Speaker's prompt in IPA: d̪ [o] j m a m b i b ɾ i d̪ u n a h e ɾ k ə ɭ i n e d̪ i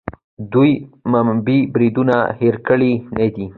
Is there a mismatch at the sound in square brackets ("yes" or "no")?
yes